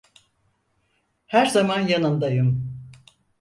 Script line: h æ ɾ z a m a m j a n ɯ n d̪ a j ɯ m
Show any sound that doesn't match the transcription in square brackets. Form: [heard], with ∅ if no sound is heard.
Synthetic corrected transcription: h æ ɾ z a m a [n] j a n ɯ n d̪ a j ɯ m